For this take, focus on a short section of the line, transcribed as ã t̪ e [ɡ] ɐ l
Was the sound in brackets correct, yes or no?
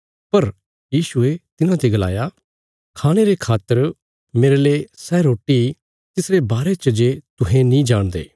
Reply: yes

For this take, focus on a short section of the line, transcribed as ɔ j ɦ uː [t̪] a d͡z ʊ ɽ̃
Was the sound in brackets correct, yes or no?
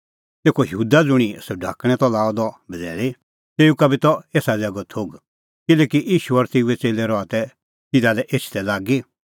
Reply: no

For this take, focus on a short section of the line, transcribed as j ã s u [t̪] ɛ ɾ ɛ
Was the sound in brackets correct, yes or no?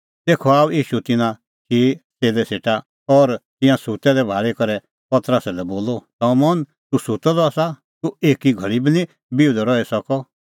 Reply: yes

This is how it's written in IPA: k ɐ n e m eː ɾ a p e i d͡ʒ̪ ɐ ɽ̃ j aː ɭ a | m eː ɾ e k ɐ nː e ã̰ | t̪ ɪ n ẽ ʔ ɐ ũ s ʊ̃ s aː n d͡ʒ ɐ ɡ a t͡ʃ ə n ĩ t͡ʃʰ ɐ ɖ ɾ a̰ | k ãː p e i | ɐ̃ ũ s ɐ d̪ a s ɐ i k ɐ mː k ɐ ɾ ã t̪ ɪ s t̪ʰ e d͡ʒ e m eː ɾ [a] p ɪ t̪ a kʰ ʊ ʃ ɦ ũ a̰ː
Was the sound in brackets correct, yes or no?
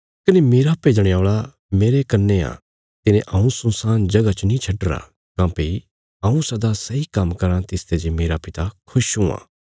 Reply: yes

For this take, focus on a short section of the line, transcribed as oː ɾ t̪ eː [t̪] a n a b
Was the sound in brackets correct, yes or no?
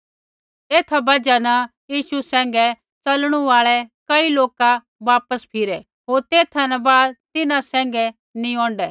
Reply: no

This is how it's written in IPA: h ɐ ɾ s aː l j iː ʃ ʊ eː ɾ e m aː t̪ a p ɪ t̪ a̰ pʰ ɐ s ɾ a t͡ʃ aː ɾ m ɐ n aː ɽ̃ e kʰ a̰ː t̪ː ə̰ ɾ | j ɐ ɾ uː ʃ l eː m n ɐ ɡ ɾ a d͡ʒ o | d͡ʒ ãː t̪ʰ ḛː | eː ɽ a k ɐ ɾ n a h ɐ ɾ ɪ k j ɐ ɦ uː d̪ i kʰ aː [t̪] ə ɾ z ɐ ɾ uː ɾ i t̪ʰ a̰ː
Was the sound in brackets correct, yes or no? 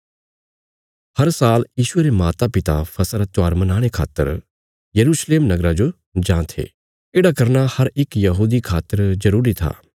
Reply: yes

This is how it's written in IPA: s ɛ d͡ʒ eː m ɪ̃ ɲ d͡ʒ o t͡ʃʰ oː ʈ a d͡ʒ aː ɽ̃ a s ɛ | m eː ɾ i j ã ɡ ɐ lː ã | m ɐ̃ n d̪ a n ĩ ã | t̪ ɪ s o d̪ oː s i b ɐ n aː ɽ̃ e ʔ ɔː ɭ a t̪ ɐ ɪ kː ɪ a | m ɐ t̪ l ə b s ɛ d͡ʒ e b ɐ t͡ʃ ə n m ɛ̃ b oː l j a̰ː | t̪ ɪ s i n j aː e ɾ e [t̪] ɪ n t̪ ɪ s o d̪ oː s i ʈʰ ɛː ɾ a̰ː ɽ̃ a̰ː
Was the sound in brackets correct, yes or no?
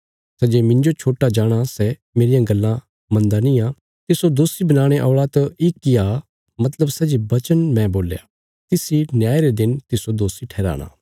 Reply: no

